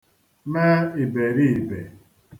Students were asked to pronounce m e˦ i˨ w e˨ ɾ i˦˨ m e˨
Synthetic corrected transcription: m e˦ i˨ b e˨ ɾ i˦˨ b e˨